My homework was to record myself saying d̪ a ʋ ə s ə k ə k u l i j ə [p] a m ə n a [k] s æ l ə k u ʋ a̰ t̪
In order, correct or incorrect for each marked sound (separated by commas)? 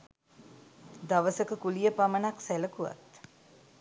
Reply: correct, correct